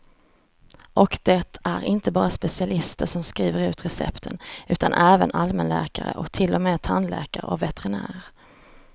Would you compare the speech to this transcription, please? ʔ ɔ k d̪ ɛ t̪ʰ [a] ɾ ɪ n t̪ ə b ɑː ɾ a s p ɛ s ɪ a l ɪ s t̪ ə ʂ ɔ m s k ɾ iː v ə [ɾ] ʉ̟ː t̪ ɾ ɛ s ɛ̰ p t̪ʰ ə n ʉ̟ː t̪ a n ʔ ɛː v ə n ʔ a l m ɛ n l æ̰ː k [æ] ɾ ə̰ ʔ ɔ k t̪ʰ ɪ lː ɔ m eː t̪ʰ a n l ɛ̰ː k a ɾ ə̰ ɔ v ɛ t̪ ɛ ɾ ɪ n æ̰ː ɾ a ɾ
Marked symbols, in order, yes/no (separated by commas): no, yes, no